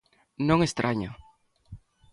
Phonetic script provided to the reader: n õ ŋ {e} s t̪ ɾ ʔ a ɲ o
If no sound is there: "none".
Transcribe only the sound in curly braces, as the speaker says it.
e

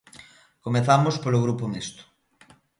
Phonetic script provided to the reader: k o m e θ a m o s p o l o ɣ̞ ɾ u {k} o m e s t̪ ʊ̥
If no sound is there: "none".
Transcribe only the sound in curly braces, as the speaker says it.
p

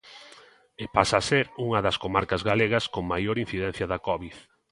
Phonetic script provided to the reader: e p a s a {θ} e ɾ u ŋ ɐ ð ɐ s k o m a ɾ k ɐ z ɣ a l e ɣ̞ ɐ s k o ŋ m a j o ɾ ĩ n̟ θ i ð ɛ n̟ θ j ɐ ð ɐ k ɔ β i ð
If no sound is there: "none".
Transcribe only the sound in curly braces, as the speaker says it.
s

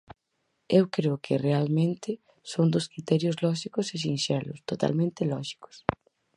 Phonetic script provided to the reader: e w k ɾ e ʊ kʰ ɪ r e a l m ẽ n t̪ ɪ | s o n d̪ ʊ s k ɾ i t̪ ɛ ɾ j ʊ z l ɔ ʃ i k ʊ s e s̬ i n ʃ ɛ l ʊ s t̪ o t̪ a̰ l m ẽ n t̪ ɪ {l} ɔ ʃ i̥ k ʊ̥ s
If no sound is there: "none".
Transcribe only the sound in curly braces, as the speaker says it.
l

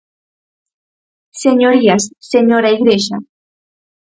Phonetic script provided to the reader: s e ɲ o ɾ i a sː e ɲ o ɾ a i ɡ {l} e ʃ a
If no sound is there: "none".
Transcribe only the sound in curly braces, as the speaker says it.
ɾ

